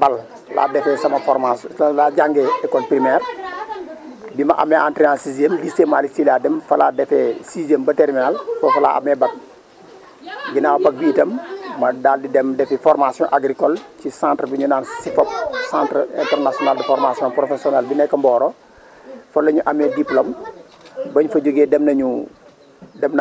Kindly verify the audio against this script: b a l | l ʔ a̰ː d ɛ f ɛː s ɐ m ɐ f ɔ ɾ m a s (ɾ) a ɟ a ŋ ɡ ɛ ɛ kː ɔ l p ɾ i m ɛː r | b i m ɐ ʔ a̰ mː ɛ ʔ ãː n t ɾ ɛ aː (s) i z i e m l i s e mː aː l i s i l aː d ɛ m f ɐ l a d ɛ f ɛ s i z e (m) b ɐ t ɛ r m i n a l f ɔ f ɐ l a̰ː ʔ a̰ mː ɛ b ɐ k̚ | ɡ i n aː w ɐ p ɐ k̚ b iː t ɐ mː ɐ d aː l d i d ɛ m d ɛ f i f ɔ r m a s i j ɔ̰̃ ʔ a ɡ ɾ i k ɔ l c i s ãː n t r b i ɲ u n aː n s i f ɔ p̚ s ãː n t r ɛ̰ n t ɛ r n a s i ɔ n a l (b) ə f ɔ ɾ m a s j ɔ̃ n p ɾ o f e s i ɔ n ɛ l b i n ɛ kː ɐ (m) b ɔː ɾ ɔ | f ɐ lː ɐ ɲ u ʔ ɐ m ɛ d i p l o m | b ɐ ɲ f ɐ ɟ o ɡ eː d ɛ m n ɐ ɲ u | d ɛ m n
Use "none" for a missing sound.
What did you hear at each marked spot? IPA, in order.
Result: l, s, m, d, m

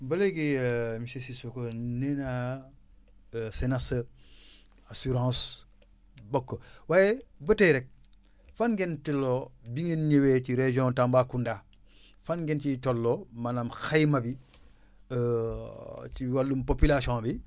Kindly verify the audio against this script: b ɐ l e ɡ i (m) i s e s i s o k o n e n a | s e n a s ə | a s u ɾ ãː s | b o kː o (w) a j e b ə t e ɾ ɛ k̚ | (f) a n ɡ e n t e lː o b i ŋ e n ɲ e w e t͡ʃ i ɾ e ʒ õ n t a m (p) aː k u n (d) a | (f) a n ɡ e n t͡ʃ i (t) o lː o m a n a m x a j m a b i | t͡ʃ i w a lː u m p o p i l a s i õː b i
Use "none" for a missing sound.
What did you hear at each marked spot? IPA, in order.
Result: m, w, f, b, d, f, t

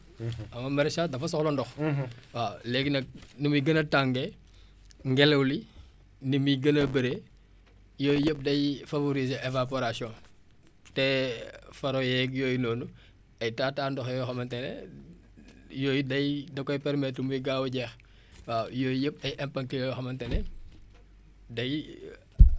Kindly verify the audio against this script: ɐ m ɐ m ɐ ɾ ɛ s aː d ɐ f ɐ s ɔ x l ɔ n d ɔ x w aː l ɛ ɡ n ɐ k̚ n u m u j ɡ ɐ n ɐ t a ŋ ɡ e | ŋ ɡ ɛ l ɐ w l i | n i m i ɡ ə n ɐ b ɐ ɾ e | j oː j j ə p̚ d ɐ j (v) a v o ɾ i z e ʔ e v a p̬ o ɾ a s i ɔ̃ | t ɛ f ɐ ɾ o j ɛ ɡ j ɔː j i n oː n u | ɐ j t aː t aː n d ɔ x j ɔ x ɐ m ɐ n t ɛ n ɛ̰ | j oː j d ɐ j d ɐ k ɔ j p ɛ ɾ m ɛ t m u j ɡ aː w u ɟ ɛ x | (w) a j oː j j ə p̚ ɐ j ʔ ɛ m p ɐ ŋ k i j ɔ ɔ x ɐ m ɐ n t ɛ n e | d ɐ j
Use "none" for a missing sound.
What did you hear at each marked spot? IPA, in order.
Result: f, w

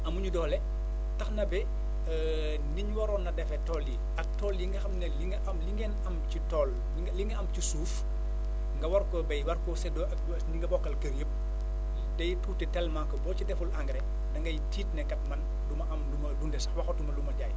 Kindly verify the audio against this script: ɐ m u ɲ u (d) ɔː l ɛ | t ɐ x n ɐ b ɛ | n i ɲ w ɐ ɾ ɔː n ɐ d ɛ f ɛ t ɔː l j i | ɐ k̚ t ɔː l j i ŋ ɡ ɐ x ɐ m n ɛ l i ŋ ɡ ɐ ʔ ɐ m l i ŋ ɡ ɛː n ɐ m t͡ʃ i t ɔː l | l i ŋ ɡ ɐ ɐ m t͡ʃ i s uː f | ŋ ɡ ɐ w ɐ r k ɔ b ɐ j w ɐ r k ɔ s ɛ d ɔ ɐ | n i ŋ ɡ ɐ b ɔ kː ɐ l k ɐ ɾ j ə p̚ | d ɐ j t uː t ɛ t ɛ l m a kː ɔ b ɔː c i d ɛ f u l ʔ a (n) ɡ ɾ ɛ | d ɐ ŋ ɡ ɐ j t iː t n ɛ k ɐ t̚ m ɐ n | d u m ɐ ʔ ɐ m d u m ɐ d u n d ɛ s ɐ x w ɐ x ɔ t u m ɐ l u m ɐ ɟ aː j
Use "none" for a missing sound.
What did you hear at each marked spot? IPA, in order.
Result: d, ŋ

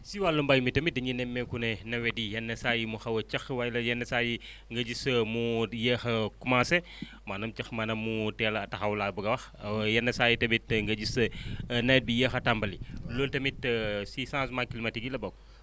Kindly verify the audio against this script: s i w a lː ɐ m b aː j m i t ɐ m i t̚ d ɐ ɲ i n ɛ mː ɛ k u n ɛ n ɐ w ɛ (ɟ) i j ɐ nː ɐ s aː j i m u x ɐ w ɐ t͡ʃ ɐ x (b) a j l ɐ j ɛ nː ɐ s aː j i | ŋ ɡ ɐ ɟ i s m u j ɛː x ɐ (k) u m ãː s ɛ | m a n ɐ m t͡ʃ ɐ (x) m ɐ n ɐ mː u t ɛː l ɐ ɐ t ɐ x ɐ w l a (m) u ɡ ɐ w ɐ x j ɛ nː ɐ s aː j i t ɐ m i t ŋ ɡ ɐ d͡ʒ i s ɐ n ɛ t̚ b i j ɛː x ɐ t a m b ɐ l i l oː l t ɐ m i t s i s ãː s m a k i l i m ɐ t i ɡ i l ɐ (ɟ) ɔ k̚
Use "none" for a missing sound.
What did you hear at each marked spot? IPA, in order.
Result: d, w, k, x, b, b

